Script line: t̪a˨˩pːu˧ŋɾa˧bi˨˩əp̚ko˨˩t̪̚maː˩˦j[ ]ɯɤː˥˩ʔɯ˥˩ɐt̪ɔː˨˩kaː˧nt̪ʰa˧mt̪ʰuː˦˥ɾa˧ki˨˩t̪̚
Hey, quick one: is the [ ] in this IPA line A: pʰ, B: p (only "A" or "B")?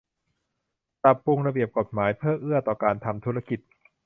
A